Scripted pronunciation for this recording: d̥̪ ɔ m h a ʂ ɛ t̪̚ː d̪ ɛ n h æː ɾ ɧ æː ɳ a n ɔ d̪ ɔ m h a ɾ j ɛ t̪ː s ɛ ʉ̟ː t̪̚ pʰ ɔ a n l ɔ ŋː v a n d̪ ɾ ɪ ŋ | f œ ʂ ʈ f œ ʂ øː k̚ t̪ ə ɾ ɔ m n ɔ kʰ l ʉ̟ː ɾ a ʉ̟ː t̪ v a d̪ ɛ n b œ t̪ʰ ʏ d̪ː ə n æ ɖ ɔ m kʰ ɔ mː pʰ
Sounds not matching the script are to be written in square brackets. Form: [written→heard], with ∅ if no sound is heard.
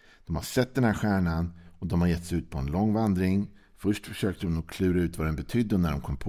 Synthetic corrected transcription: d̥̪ ɔ m h a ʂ ɛ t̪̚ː d̪ ɛ n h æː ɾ ɧ æː ɳ a n ɔ d̪ ɔ m h a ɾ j ɛ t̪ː s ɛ ʉ̟ː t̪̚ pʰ ɔ [a→ɛ] n l ɔ ŋː v a n d̪ ɾ ɪ ŋ | f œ ʂ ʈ f œ ʂ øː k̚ t̪ ə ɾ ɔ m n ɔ kʰ l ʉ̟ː ɾ a ʉ̟ː t̪ v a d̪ ɛ n b [œ→ɛ] t̪ʰ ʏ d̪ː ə n æ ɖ ɔ m kʰ ɔ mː pʰ